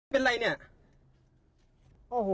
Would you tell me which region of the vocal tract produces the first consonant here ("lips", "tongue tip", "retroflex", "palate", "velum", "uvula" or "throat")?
lips